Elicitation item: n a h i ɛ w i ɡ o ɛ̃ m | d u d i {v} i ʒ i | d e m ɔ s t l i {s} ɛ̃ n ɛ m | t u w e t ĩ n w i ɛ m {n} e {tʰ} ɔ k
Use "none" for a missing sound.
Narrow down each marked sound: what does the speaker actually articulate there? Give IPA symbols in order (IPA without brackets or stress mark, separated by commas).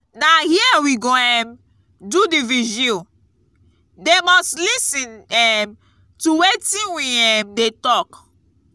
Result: v, s, d, t